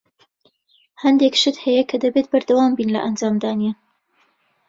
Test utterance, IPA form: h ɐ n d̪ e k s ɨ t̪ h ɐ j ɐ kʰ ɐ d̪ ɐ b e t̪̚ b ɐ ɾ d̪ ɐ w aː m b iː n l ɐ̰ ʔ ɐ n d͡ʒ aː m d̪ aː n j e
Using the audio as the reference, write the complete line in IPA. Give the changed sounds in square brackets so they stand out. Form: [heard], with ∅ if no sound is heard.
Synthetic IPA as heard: h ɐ n d̪ e k [ʃ] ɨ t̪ h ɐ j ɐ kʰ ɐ d̪ ɐ b e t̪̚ b ɐ ɾ d̪ ɐ w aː m b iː n l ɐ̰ ʔ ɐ n d͡ʒ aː m d̪ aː n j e